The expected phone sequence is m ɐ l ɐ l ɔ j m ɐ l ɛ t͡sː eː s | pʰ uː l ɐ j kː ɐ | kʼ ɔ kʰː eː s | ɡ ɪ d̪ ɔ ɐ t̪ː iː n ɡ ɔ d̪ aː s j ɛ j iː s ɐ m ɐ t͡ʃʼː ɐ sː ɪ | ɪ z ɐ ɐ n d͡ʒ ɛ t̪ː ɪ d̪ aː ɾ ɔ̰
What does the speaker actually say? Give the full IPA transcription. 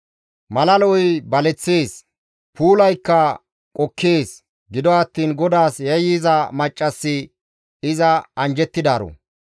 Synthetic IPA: m ɐ l ɐ l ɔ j b ɐ l ɛ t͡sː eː s | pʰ uː l ɐ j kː ɐ | kʼ ɔ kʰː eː s | ɡ ɪ d̪ ɔ ɐ t̪ː iː n ɡ ɔ d̪ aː s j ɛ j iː z ɐ m ɐ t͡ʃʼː ɐ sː ɪ | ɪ z ɐ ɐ n d͡ʒ ɛ t̪ː ɪ d̪ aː ɾ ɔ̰